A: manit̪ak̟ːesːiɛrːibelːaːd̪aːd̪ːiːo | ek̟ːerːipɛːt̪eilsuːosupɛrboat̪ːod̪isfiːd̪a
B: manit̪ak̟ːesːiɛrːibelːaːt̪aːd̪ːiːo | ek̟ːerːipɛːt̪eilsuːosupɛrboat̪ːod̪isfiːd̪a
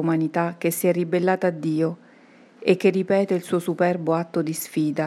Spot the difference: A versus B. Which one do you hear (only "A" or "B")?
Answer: B